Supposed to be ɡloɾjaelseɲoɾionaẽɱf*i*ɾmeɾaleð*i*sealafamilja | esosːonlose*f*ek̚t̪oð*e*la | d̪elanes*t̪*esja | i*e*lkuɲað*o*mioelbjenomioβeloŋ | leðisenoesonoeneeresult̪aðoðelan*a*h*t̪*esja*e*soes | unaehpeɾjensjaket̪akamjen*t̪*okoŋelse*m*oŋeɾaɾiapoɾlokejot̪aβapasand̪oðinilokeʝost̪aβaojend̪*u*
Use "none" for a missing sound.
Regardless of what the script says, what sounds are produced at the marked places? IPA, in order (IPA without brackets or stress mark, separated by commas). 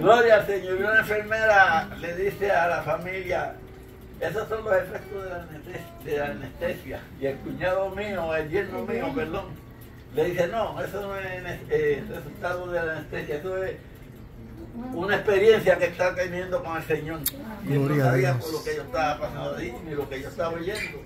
e, i, f, e, t̪, e, o, e, t̪, e, d̪, ɲ, o